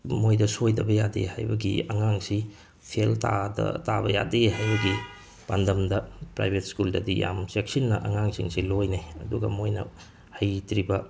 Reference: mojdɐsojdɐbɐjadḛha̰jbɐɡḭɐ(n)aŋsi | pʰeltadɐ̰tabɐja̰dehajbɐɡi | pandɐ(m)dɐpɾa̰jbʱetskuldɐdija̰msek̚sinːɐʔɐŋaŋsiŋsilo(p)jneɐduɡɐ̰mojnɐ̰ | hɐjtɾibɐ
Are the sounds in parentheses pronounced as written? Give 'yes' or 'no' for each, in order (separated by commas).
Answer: no, yes, no